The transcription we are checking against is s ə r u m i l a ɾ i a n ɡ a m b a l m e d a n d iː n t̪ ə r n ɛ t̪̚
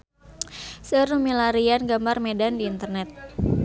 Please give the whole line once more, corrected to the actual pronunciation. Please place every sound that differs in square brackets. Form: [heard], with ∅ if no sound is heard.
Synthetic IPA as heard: s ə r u m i l a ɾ i a n ɡ a m b a [r] m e d a n d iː n t̪ ə r n ɛ t̪̚